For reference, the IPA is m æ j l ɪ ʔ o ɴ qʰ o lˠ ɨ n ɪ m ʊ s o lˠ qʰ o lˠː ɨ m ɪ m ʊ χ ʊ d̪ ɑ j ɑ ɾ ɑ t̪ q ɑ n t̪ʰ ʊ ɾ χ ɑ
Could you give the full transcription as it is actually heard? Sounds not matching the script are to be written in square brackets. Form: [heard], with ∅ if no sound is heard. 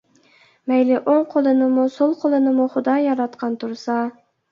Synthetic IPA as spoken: m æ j l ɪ ʔ o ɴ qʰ o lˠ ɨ n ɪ m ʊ s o lˠ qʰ o [lˠ] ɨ [n] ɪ m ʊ χ ʊ d̪ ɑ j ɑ ɾ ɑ t̪ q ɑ n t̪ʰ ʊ ɾ [s] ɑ